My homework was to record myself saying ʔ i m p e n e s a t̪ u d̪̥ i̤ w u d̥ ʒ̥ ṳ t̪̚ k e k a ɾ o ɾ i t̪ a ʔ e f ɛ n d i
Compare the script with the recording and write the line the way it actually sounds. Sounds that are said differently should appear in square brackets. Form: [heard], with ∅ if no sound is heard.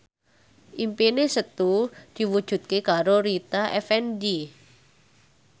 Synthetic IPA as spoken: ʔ i m p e n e s [ə] t̪ u d̪̥ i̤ w u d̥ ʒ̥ ṳ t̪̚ k e k a ɾ o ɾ i t̪ a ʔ [ɛ] f ɛ n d i